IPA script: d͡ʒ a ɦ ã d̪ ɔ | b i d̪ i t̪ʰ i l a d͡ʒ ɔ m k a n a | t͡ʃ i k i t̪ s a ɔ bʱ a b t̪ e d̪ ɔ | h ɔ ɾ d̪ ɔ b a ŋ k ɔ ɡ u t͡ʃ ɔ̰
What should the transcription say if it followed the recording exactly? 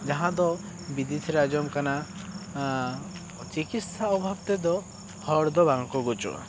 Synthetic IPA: d͡ʒ a ɦ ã d̪ ɔ | b i d̪ i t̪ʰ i ɾ a d͡ʒ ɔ m k a n a | t͡ʃ i k i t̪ s a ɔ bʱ a b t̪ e d̪ ɔ | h ɔ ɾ d̪ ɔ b a ŋ k ɔ ɡ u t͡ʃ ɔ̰